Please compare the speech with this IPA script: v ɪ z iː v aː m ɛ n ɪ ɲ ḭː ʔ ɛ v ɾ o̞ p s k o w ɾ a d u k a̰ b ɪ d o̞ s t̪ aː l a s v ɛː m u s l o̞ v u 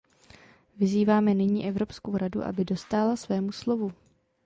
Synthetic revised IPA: v ɪ z iː v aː m ɛ n ɪ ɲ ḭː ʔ ɛ v ɾ o̞ p s k o w ɾ a d u ʔ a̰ b ɪ d o̞ s t̪ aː l a s v ɛː m u s l o̞ v u